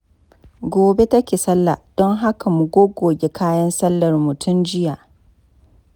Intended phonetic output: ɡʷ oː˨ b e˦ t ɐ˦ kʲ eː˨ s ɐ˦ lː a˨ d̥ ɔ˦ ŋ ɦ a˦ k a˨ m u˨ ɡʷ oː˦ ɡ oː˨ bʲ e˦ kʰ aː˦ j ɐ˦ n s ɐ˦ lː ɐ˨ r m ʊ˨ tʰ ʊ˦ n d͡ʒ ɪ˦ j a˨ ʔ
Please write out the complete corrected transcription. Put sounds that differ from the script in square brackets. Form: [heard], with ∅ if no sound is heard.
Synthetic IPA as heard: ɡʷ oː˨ b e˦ t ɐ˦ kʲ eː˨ s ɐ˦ lː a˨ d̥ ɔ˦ ŋ ɦ a˦ k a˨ m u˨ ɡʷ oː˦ ɡ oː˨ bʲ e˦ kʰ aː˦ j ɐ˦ n s ɐ˦ lː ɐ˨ r m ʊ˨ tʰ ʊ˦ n d͡ʒ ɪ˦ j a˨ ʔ